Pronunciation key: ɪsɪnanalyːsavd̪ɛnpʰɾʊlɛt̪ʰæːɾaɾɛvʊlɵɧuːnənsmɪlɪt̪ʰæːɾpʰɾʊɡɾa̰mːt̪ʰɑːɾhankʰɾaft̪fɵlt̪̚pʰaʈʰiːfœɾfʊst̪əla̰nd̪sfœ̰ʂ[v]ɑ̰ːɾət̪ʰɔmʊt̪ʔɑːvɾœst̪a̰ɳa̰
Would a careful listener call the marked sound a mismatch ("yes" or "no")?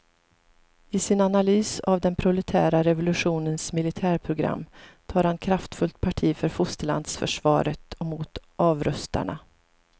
no